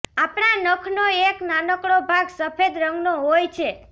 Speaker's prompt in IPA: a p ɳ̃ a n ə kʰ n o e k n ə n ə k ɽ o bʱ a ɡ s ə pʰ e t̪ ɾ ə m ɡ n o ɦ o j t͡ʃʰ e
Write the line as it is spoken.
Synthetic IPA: a p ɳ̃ a n ə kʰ n o e k n a n ə k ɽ o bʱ a ɡ s ə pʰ e d̪ ɾ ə ŋ ɡ n o ɦ o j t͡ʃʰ e